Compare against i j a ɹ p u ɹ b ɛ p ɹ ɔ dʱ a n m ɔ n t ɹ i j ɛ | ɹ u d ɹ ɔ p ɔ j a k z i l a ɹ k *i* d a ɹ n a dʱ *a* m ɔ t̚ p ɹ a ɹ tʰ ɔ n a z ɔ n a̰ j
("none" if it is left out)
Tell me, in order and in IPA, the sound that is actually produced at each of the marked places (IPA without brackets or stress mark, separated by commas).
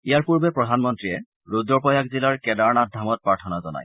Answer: ɛ, a